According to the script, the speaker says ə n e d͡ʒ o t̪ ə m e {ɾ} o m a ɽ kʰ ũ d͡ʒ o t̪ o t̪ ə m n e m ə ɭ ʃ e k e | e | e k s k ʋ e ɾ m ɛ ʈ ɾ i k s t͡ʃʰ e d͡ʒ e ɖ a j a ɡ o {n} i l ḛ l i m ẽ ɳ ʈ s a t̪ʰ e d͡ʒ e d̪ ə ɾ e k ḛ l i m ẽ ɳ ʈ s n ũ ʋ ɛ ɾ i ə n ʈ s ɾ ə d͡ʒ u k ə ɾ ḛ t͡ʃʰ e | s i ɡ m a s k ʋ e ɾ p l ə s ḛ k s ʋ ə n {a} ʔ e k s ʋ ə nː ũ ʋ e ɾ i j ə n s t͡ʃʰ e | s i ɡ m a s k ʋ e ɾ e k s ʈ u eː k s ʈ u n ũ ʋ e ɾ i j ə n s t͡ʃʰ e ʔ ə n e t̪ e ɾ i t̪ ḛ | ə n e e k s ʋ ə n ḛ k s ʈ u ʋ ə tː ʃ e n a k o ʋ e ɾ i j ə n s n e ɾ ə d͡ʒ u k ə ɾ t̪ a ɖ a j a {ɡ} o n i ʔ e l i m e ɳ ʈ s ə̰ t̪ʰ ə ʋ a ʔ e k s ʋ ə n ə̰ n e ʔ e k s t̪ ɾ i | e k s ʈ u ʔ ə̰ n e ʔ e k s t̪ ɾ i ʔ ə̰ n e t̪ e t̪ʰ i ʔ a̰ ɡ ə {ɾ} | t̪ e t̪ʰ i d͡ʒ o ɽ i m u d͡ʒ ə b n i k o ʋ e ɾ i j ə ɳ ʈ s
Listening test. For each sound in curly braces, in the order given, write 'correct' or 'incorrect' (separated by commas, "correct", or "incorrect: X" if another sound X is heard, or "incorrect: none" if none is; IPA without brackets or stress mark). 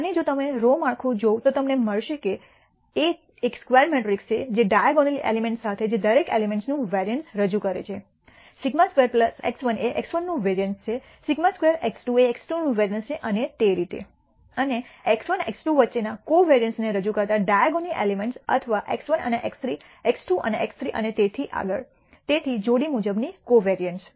correct, correct, incorrect: e, correct, incorrect: ɭ